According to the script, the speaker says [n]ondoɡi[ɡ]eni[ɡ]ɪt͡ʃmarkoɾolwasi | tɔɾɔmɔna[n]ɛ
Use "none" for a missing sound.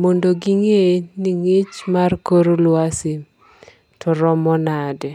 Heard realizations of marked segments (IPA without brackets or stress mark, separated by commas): m, ŋ, ŋ, d